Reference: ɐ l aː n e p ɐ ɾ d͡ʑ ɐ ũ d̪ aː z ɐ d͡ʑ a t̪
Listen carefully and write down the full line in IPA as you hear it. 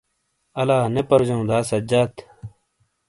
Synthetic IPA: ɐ l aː n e p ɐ ɾ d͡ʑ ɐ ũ d̪ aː s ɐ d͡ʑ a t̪